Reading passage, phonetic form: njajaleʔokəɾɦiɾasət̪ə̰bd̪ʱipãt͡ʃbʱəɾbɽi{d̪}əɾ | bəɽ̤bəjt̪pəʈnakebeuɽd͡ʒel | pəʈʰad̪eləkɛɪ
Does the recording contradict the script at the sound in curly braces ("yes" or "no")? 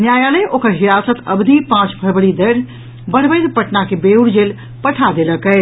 no